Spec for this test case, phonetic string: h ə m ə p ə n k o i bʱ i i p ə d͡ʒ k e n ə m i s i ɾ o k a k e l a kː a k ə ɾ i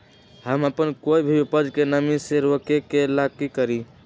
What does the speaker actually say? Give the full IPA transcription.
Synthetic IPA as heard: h ə m ə p ə n k o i bʱ i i p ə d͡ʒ k e n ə m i s e ɾ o k e k e l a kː i k ə ɾ i